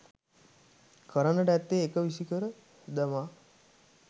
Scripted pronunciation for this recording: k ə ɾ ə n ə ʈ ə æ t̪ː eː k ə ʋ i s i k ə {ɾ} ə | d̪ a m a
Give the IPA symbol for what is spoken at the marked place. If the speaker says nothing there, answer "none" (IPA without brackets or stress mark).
ɾ